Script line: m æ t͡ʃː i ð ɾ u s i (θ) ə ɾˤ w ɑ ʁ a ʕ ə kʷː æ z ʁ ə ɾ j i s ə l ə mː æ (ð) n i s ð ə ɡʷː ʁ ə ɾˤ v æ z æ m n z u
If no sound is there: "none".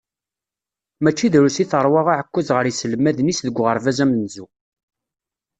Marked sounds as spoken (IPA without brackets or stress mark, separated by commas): θ, ð